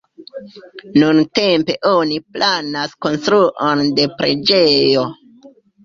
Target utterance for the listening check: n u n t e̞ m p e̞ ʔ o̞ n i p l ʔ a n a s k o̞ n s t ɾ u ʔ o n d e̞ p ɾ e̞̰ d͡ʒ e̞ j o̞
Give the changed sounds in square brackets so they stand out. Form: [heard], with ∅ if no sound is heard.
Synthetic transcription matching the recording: n u n t e̞ m p e̞ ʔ o̞ n i p l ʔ a n a s k o̞ n s t ɾ u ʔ o n d e̞ p ɾ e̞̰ d͡ʒ e̞ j o̞

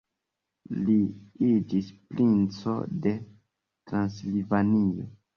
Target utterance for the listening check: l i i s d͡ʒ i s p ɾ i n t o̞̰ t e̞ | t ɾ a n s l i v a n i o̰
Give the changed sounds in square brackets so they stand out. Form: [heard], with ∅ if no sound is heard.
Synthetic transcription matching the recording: l i i [∅] d͡ʒ i s p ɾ i n [t͡s] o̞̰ [d] e̞ | t ɾ a n s l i v a n i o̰

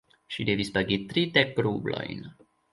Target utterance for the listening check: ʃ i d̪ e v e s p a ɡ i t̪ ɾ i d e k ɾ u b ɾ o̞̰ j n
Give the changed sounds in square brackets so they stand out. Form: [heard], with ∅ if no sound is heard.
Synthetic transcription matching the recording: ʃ i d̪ e v [i] s p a ɡ i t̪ ɾ i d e k ɾ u b [l] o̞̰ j n

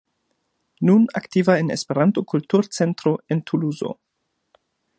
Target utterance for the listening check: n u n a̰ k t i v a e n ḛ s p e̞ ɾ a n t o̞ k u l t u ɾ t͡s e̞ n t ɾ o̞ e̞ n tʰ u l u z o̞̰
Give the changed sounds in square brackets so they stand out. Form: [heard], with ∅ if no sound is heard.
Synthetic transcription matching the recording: n u n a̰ k t i v a e n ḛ s p e̞ ɾ a n t o̞ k u l t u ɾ t͡s e̞ n t ɾ o̞ e̞ n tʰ u l u z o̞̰

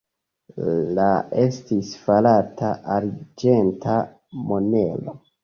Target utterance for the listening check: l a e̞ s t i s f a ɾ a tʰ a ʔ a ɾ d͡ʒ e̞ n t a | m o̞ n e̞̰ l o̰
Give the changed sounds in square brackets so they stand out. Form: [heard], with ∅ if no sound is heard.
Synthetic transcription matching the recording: l a e̞ s t i s f a [l] a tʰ a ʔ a ɾ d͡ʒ e̞ n t a | m o̞ n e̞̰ l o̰

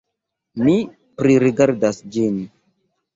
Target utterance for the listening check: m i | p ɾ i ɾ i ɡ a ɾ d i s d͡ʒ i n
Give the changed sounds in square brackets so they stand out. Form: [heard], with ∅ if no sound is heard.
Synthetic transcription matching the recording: m i | p ɾ i ɾ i ɡ a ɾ d [a] s d͡ʒ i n

